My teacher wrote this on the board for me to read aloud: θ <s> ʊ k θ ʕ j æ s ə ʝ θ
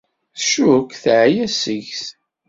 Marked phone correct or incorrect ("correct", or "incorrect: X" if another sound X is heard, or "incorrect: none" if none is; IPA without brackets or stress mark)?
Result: incorrect: ʃ